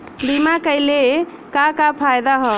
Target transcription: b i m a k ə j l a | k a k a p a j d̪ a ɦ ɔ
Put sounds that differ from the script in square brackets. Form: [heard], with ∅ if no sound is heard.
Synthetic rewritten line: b i m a k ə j l [e] | k a k a [pʰ] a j d̪ a ɦ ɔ

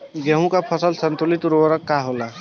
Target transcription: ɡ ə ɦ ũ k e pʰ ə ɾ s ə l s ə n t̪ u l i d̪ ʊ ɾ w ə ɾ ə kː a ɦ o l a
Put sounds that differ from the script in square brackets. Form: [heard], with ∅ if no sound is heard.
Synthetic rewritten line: ɡ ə ɦ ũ k [a] pʰ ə [∅] s ə l s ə n t̪ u l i [t̪] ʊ ɾ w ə ɾ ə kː a ɦ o l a

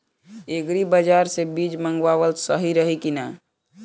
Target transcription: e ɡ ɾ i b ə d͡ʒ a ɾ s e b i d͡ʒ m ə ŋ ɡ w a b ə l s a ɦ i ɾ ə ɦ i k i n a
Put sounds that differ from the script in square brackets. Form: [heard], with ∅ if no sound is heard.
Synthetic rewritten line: e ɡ ɾ i b ə d͡ʒ a ɾ s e b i d͡ʒ m ə ŋ ɡ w a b ə l s [ə] ɦ i ɾ ə ɦ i k i n a

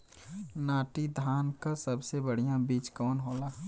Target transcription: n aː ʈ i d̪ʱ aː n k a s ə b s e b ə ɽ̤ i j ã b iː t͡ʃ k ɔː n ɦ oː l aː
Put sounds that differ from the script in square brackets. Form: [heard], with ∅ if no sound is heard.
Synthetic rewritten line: n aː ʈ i d̪ʱ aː n k a s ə b s e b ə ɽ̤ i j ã b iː t͡ʃ k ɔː n ɦ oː l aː

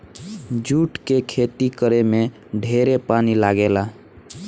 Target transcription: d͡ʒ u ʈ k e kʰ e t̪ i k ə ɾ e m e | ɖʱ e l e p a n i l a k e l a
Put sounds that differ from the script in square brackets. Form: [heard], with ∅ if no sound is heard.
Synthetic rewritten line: d͡ʒ u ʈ k e kʰ e t̪ i k ə ɾ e m e | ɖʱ e [ɾ] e p a n i l a [ɡ] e l a

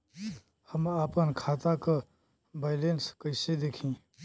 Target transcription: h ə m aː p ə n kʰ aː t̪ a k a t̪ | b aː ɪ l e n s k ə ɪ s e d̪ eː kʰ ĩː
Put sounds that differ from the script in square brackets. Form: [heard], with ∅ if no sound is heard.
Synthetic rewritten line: h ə m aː p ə n kʰ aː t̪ a k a [∅] | b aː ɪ l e n s k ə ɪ s e d̪ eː kʰ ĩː

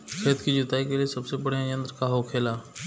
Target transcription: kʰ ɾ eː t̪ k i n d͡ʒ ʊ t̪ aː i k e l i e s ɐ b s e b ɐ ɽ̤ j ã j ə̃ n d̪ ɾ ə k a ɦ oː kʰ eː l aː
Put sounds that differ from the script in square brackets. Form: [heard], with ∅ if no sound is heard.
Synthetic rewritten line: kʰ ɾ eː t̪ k i [∅] d͡ʒ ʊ t̪ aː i k e l i e s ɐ b s e b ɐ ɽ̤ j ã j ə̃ n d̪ ɾ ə k a ɦ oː kʰ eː l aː

